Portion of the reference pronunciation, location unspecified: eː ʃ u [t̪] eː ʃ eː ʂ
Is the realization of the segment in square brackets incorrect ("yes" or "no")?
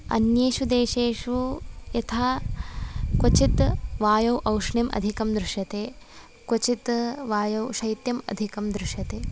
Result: yes